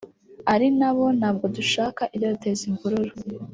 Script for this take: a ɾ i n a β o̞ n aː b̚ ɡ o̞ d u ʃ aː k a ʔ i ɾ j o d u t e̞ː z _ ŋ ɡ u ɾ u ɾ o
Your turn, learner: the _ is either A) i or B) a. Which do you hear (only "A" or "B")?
A